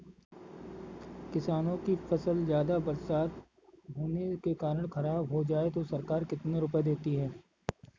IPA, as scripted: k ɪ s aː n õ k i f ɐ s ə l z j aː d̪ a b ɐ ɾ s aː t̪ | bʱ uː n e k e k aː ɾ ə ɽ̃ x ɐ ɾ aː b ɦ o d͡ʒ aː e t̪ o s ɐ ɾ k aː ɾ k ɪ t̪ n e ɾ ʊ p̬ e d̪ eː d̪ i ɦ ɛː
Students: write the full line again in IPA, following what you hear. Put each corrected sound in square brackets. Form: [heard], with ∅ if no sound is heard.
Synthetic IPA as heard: k ɪ s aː n õ k i f ɐ s ə l z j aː d̪ a b ɐ ɾ s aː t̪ | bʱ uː n e k e k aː ɾ ə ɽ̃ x ɐ ɾ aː b ɦ o d͡ʒ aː e t̪ o s ɐ ɾ k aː ɾ k ɪ t̪ n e ɾ ʊ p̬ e d̪ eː [t̪] i ɦ ɛː